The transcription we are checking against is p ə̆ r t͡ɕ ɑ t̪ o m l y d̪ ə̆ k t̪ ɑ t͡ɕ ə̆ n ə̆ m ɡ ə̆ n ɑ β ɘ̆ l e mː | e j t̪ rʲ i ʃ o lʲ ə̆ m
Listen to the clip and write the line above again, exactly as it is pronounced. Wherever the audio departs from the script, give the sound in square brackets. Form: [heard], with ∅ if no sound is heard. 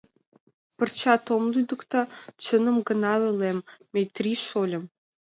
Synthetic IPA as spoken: p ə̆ r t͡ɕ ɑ t̪ o m l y d̪ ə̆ k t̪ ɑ t͡ɕ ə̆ n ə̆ m ɡ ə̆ n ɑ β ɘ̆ l e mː | e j t̪ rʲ i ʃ o lʲ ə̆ m